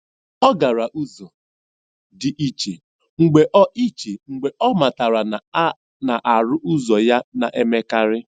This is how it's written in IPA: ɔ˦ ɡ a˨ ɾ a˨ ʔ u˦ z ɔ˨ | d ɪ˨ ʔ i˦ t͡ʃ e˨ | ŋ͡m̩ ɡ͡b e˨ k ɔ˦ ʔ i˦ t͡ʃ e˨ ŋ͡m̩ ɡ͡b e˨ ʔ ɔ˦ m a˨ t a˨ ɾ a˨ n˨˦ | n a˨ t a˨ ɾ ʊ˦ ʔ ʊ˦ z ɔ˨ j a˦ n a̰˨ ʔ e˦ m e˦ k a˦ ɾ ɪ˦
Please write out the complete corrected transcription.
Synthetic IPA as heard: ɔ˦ ɡ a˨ ɾ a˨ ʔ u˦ z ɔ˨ | d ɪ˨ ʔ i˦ t͡ʃ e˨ | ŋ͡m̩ ɡ͡b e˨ ʔ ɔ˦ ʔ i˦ t͡ʃ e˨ ŋ͡m̩ ɡ͡b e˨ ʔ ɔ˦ m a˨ t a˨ ɾ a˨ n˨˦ | n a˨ ʔ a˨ ɾ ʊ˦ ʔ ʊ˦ z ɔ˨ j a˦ n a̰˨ ʔ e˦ m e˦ k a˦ ɾ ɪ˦